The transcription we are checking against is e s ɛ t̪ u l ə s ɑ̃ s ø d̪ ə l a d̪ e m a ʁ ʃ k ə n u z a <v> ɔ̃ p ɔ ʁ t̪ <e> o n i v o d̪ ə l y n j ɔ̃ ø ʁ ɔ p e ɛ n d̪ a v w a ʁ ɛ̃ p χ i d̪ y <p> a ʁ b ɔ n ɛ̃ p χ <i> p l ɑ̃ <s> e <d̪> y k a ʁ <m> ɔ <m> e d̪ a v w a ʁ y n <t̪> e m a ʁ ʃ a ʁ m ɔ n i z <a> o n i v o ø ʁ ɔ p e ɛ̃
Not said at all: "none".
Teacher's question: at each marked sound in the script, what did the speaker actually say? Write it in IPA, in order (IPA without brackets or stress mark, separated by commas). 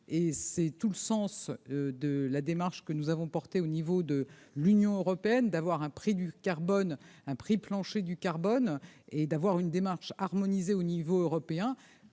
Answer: v, e, k, i, ʃ, d̪, b, n, d̪, e